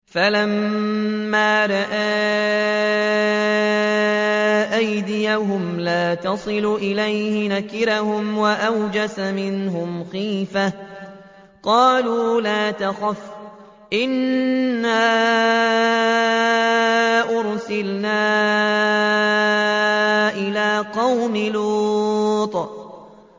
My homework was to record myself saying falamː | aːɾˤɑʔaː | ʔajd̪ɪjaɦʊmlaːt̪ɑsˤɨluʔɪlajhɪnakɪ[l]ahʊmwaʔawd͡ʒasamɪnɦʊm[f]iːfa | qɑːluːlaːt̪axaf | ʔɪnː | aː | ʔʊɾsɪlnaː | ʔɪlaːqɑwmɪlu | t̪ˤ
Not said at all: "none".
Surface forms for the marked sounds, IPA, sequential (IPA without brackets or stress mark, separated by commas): ɾ, x